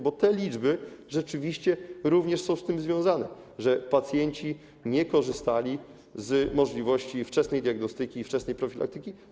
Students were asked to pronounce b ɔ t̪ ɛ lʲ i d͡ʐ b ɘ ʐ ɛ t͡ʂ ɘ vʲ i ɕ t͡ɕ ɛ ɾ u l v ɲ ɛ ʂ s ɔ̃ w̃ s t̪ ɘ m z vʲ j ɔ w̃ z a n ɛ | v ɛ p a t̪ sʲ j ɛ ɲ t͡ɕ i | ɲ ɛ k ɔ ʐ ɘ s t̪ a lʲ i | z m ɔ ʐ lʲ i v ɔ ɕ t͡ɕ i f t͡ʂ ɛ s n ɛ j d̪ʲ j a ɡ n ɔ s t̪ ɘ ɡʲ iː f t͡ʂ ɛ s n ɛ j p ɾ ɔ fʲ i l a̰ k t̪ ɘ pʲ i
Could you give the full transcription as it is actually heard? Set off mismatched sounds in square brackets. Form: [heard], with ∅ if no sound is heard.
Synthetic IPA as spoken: b ɔ t̪ ɛ lʲ i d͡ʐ b ɘ ʐ ɛ t͡ʂ ɘ vʲ i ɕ t͡ɕ ɛ ɾ u [∅] v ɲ ɛ ʂ s ɔ̃ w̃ s t̪ ɘ m z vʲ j [ɔ̃] w̃ z a n ɛ | [ʐ] ɛ p a t̪ sʲ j ɛ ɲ t͡ɕ i | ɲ ɛ k ɔ ʐ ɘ s t̪ a lʲ i | z m ɔ ʐ lʲ i v ɔ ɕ t͡ɕ i f t͡ʂ ɛ s n ɛ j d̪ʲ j a ɡ n ɔ s t̪ ɘ [kʲ] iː f t͡ʂ ɛ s n ɛ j p ɾ ɔ fʲ i l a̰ k t̪ ɘ [kʲ] i